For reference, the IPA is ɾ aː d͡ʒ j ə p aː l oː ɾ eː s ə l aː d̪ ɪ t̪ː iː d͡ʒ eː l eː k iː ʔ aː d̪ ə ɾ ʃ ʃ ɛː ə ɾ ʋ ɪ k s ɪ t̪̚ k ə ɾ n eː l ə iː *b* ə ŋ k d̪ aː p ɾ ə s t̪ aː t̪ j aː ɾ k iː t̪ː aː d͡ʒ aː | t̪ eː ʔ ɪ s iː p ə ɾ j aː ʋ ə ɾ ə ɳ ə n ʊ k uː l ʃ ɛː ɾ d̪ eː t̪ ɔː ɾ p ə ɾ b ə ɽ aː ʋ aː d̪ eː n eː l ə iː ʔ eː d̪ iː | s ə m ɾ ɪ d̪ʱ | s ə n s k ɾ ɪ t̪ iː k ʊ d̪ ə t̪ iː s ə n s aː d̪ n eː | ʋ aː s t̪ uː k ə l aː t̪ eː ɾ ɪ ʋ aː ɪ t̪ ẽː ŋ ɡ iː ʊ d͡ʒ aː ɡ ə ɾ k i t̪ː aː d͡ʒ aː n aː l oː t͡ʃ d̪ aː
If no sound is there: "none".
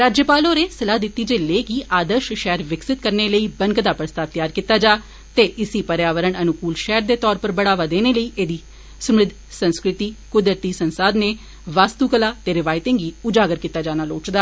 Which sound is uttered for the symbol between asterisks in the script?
b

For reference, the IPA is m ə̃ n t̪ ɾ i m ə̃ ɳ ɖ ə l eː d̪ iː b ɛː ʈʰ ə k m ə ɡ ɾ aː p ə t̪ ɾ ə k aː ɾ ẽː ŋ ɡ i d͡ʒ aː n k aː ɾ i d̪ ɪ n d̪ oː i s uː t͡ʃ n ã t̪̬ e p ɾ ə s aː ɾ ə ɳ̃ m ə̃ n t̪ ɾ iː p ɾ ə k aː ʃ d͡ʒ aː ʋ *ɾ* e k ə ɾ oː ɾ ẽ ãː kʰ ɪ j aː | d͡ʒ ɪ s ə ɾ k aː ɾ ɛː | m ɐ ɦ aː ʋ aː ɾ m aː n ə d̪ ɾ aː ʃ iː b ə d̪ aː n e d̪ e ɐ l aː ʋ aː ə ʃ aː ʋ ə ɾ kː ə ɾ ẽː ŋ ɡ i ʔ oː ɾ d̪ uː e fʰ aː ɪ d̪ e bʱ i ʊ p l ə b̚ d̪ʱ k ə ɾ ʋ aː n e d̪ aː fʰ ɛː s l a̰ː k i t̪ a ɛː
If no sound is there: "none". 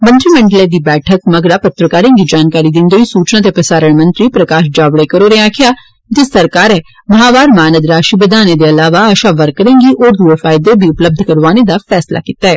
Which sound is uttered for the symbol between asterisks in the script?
ɽ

